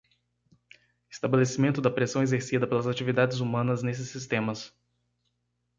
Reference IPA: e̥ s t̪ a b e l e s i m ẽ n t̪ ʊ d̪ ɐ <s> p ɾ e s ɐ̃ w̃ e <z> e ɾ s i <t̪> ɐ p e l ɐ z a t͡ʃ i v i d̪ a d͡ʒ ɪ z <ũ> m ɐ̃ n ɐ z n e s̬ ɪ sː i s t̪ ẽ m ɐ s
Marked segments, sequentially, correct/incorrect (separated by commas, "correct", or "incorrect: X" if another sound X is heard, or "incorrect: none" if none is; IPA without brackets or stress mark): incorrect: none, correct, incorrect: d̪, incorrect: u